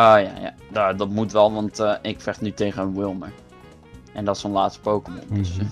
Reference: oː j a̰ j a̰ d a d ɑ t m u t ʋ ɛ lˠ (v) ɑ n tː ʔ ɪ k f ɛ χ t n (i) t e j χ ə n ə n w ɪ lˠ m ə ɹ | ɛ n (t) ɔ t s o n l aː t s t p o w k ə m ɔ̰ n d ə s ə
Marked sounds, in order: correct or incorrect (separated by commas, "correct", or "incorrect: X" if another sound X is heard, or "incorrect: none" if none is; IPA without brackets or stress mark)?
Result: incorrect: ʋ, incorrect: y, incorrect: d